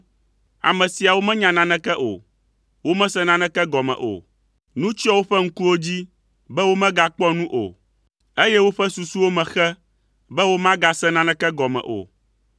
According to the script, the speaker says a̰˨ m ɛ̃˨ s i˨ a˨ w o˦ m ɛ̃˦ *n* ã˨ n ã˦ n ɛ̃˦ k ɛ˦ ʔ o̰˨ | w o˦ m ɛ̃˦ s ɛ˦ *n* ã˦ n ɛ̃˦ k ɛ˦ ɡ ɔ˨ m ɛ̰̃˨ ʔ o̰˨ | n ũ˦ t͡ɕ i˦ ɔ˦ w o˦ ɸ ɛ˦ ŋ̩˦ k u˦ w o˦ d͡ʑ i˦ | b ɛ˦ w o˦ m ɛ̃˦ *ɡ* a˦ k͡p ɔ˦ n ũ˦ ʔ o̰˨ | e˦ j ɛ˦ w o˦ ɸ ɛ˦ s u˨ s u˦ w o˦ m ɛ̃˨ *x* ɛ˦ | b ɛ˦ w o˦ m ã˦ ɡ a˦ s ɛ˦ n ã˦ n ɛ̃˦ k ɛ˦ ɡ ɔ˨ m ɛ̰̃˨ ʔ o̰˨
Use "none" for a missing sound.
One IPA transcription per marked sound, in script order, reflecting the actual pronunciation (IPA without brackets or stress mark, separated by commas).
ɲ, n, ɡ, x